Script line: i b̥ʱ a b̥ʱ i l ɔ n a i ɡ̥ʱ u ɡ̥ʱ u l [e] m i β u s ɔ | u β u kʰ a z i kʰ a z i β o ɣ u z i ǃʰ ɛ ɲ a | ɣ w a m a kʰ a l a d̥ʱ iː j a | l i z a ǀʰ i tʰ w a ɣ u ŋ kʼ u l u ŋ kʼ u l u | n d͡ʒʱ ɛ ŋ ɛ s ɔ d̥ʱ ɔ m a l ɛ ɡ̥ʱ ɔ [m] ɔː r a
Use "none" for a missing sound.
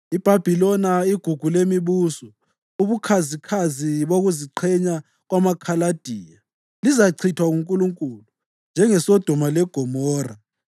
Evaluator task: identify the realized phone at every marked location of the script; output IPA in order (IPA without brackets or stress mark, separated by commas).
e, m